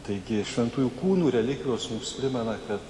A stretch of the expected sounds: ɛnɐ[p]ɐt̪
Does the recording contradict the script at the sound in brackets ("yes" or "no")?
yes